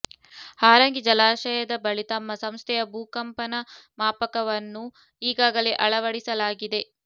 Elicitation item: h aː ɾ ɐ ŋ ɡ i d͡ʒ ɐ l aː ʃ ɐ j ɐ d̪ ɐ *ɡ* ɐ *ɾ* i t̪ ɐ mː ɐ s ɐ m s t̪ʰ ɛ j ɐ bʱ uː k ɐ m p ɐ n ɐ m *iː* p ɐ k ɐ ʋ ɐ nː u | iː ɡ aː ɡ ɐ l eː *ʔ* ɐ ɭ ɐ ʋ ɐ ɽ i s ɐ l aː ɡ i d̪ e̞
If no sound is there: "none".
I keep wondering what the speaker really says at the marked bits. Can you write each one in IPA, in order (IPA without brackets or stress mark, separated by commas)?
b, ɭ, aː, ʔ